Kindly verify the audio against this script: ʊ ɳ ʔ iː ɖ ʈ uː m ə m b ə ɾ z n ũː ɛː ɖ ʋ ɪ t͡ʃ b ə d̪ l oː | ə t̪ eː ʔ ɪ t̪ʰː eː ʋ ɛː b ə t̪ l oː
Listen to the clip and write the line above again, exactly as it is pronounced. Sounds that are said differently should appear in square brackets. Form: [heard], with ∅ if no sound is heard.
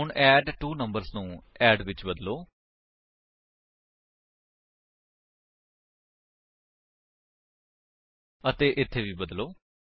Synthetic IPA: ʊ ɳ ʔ [ɛː] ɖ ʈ uː [n] ə m b ə ɾ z n ũː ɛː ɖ ʋ ɪ t͡ʃ b ə d̪ l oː | ə t̪ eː ʔ ɪ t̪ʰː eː ʋ [iː] b ə [d̪] l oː

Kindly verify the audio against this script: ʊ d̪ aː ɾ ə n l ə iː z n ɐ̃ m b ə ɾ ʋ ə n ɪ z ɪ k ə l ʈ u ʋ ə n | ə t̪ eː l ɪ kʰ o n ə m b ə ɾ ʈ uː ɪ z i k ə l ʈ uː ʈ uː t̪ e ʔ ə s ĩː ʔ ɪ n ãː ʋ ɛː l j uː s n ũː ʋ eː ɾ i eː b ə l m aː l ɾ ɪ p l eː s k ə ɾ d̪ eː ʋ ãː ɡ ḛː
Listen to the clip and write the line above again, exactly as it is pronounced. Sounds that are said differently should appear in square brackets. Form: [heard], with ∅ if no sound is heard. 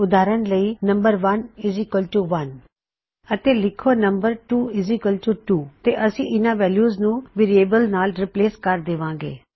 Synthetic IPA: ʊ d̪ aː ɾ ə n l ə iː [∅] n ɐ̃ m b ə ɾ ʋ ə n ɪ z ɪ k ə l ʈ u ʋ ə n | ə t̪ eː l ɪ kʰ o n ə m b ə ɾ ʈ uː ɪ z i k ə l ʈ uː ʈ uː t̪ e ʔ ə s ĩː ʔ ɪ n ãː ʋ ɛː l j uː [z] n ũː ʋ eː ɾ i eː b ə l [n] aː l ɾ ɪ p l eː s k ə ɾ d̪ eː ʋ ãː ɡ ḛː

